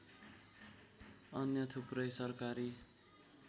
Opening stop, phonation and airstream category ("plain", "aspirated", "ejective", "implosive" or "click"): aspirated